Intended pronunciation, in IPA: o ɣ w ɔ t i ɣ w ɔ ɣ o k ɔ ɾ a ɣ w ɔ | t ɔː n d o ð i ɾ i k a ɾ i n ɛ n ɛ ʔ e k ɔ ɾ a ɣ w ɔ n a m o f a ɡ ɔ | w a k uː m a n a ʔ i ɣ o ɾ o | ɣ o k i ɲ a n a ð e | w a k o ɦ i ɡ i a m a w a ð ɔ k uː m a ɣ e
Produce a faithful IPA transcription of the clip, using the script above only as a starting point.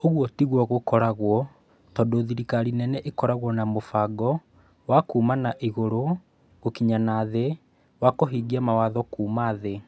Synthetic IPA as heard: o ɣ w ɔ t i ɣ w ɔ ɣ o k ɔ ɾ a ɣ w ɔ | t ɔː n d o ð i ɾ i k a ɾ i n ɛ n ɛ ʔ e k ɔ ɾ a ɣ w ɔ n a m o f a ɡ ɔ | w a k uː m a n a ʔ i ɣ o ɾ o | ɣ o k i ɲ a n a ð e | w a k o ɦ i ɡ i a m a w a ð ɔ k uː m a ð e